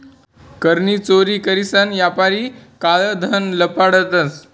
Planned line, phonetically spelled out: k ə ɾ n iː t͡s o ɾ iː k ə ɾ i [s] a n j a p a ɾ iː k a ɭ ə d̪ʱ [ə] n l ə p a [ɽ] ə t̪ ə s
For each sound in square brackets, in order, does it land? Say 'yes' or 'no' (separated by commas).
yes, yes, yes